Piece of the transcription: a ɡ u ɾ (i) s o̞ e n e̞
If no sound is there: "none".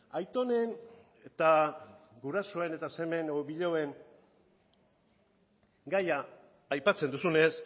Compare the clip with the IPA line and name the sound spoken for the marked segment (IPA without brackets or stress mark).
a